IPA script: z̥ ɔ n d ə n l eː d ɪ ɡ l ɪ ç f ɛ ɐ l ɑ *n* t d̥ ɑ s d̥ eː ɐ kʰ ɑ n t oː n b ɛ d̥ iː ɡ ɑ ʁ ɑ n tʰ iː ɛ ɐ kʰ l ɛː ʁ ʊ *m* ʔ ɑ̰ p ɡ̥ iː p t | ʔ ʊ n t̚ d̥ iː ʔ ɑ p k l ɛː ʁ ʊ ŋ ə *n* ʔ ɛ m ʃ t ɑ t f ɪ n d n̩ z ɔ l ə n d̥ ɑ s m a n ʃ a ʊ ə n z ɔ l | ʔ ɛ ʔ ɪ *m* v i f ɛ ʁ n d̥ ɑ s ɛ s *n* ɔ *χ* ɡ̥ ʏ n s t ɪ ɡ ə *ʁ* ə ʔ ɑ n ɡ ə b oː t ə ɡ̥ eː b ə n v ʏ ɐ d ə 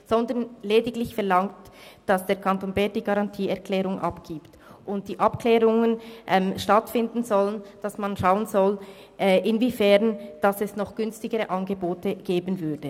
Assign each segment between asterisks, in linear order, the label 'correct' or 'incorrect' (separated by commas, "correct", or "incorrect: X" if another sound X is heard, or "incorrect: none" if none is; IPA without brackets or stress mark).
incorrect: ŋ, incorrect: ŋ, correct, incorrect: n, correct, correct, correct